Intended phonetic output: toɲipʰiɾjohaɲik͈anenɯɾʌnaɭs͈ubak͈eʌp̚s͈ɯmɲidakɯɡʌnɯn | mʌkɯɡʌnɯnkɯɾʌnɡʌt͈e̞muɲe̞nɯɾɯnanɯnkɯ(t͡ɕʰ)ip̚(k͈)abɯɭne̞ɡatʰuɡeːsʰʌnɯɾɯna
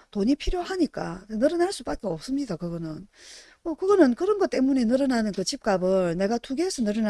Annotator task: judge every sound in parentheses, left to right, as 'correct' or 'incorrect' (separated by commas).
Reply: incorrect, correct